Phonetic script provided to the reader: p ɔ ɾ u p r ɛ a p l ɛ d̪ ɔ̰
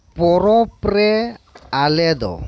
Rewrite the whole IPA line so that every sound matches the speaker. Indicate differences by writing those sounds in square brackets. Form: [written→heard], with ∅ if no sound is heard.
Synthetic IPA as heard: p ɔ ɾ [u→ɔ] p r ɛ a [p→∅] l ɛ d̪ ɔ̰